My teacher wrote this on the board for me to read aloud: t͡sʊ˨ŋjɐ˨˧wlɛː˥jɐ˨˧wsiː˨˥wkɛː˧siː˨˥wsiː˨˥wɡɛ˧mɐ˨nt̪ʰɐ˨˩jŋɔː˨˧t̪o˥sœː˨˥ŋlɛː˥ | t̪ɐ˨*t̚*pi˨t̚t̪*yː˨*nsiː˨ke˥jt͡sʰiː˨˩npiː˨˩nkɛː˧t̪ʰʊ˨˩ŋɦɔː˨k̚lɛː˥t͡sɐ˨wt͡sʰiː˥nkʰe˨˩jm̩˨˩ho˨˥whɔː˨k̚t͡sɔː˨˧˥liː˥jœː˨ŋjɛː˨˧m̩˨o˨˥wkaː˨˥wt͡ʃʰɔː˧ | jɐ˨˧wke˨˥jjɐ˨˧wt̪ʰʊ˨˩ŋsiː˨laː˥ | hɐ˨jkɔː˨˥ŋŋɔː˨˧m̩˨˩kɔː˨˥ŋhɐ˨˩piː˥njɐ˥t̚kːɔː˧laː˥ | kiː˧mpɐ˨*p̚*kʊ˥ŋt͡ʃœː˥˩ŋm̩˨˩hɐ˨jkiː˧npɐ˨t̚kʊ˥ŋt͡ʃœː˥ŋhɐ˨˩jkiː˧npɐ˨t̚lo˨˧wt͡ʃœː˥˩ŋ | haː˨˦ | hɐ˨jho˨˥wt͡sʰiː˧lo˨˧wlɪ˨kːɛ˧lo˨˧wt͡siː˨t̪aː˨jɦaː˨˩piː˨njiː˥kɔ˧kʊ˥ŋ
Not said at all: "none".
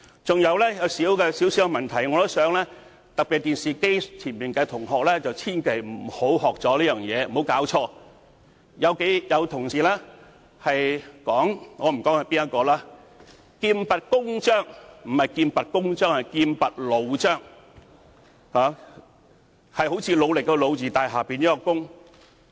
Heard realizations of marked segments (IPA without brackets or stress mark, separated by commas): k̚, iː˨, t̚